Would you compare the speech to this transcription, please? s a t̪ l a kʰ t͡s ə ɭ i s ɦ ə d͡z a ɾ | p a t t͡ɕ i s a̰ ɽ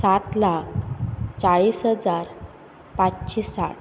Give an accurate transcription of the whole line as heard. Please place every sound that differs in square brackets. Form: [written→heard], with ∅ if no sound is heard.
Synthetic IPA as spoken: s a t̪ l a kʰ t͡s [ə→a] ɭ i s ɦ ə d͡z a ɾ | p a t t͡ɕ i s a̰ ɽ